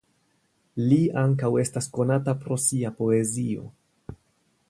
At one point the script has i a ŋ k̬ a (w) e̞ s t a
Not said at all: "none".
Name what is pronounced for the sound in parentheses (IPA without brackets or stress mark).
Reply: w